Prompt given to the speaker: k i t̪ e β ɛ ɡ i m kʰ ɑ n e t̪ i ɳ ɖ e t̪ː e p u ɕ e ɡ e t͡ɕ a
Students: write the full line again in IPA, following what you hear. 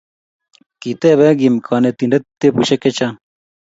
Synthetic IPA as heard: k i t̪ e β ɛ ɡ i m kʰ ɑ n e t̪ i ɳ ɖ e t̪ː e p u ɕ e k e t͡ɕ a